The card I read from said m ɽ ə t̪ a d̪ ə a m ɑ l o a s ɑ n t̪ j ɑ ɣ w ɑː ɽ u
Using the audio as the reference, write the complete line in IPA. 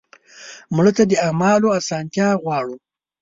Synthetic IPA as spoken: m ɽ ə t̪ a d̪ ə a m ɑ l o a s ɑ n t̪ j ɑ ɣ w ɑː ɽ u